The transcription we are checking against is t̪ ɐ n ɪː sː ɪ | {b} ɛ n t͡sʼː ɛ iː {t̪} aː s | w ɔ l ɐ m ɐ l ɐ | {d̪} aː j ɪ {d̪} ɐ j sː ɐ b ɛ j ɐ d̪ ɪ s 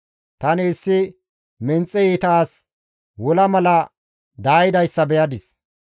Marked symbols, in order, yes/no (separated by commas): no, yes, yes, yes